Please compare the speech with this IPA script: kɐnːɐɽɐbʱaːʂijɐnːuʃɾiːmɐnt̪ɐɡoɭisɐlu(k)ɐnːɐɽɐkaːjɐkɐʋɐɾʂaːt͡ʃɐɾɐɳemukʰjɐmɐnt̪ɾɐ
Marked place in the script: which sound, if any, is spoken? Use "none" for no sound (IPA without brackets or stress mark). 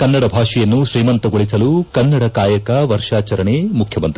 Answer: k